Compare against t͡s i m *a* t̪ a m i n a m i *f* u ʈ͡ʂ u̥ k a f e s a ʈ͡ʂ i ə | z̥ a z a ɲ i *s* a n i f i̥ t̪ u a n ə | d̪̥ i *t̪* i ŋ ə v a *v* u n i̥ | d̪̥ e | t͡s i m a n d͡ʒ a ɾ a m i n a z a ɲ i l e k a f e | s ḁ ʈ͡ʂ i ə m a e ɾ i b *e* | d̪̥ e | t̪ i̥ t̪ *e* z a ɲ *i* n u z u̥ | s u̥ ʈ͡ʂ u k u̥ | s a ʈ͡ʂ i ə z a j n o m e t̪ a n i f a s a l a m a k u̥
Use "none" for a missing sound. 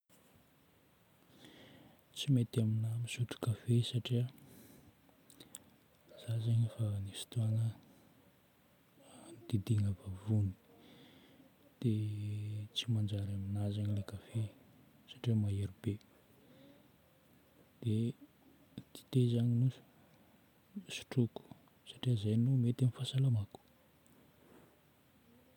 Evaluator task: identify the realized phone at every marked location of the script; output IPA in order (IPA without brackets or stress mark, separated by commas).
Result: e, s, f, d̪, v, e, e, i